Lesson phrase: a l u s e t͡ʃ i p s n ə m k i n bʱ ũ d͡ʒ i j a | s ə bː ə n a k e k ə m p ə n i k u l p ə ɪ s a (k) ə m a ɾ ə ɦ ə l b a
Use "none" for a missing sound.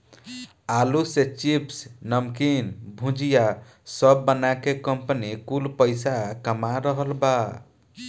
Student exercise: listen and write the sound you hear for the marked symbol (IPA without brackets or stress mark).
k